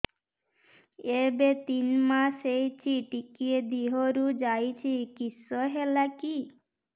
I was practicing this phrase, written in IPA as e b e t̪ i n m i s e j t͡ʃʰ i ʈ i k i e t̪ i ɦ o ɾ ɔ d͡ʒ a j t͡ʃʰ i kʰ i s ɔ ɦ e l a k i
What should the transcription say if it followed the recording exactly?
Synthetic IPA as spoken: e b e t̪ i n m a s e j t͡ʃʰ i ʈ i k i e d̪ i ɦ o ɾ u d͡ʒ a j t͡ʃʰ i k i s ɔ ɦ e l a k i